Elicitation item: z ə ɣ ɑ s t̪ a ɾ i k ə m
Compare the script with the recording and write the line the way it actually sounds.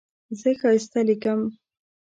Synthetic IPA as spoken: z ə x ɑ s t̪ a l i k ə m